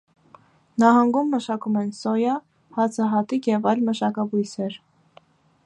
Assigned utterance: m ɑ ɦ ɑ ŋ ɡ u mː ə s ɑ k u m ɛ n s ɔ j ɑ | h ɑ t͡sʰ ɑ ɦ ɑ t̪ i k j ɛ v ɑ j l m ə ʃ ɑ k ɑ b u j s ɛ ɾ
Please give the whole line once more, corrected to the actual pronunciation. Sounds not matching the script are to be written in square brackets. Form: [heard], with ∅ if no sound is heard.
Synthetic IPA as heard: [n] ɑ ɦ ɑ ŋ ɡ u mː ə [ʃ] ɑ k u m ɛ n s ɔ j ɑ | h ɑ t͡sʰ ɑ ɦ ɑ t̪ i k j ɛ v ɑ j l m ə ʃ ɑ k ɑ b u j s ɛ ɾ